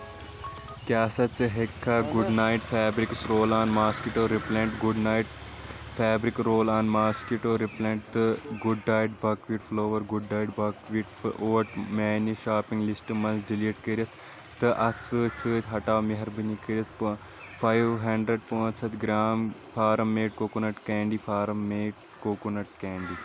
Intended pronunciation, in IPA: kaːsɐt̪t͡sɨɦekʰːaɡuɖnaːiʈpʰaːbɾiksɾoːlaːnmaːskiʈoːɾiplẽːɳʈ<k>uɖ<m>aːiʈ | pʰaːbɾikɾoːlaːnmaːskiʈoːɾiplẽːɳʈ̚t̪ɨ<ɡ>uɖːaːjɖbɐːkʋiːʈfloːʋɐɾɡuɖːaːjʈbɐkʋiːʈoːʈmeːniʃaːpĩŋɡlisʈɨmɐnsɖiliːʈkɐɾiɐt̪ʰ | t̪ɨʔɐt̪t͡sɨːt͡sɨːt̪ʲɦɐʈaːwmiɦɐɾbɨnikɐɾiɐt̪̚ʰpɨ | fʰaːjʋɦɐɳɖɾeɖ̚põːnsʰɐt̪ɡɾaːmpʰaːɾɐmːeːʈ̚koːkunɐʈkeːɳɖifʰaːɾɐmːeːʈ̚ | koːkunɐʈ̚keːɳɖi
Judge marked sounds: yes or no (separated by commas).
no, no, yes